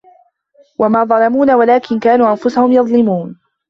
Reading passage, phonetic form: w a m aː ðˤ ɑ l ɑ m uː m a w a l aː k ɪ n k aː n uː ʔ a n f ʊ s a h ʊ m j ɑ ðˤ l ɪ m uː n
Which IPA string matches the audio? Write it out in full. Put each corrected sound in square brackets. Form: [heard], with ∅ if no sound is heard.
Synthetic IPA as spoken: w a m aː ðˤ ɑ l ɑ m uː [n] a w a l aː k ɪ n k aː n uː ʔ a n f ʊ s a h ʊ m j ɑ ðˤ l ɪ m uː n